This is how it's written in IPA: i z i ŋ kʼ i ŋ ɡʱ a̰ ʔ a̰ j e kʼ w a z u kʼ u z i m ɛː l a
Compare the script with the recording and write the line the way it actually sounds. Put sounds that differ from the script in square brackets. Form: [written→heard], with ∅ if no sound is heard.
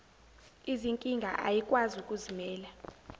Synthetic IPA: i z i ŋ kʼ i ŋ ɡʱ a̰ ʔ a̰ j [e→i] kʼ w a z u kʼ u z i m ɛː l a